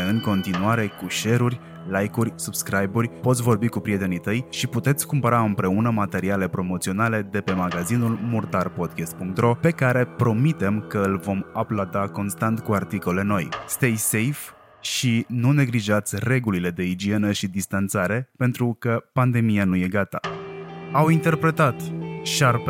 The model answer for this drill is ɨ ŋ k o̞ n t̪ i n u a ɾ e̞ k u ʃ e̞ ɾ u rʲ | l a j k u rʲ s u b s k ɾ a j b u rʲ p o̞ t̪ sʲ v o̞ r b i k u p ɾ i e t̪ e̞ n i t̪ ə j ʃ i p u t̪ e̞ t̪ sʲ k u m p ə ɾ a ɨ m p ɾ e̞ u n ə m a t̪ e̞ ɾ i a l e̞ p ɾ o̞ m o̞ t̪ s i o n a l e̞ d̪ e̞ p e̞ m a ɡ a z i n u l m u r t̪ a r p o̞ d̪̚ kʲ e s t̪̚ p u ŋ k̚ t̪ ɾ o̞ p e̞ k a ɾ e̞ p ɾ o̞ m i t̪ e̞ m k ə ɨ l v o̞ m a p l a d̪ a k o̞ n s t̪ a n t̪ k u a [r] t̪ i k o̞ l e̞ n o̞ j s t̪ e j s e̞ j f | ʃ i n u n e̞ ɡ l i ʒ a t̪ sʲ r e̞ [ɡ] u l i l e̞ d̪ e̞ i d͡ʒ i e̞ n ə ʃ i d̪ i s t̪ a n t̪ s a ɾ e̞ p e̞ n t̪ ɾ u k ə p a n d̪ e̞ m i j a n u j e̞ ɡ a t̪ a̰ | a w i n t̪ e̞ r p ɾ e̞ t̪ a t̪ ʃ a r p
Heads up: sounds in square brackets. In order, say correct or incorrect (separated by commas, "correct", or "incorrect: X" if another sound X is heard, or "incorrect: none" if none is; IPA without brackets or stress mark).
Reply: correct, correct